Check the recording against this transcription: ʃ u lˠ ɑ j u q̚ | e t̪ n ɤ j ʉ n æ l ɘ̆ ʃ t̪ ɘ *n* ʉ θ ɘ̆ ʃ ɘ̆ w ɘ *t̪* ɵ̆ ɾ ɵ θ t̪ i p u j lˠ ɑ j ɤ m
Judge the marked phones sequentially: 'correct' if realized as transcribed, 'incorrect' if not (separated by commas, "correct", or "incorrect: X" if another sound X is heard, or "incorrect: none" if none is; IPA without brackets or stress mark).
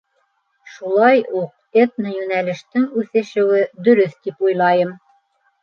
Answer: incorrect: ŋ, incorrect: d̪